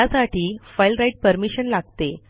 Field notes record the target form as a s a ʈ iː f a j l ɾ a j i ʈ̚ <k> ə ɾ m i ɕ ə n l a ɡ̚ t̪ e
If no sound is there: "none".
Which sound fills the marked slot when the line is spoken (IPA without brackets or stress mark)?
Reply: p